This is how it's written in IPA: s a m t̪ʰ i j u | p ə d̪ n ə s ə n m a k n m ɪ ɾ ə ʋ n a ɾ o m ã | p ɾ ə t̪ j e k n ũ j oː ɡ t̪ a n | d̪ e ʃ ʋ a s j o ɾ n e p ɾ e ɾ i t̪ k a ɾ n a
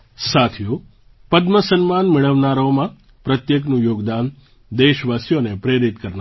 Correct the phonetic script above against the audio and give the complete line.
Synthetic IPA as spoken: s a t̪ʰ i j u | p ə d̪ m ə s ə n m a n m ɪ ɭ ə ʋ n a ɾ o m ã | p ɾ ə t̪ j e k n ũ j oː ɡ d̪ a n | d̪ e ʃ ʋ a s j o n e p ɾ e ɾ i t̪ k ə ɾ n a